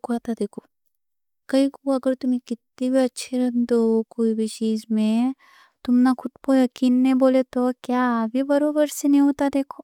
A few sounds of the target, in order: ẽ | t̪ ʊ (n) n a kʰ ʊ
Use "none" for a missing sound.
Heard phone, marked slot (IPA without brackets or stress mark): m